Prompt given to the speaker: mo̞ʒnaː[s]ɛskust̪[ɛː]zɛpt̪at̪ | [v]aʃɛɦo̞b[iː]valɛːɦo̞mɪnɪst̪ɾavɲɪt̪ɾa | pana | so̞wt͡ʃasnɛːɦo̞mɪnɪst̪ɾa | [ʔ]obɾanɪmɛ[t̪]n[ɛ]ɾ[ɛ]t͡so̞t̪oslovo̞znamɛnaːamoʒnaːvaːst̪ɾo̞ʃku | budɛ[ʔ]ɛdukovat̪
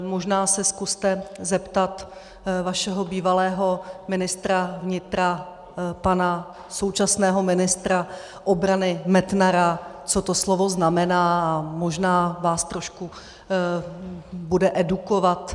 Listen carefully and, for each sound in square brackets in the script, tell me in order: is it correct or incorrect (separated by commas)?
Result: correct, incorrect, correct, correct, correct, correct, incorrect, incorrect, correct